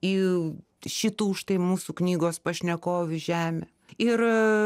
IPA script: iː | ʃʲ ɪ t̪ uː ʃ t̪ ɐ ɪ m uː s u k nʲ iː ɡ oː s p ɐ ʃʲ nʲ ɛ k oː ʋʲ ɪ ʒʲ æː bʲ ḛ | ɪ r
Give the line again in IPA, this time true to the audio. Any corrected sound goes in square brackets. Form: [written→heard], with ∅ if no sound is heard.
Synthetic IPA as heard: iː | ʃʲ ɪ t̪ uː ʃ t̪ ɐ ɪ m uː s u k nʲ iː ɡ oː s p ɐ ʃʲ nʲ ɛ k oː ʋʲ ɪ ʒʲ æː [bʲ→mʲ] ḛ | ɪ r